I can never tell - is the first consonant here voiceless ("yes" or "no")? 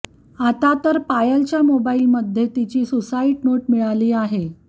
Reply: yes